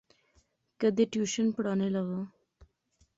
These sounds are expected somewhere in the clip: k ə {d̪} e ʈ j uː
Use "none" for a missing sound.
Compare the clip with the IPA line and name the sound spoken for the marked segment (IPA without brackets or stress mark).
d̪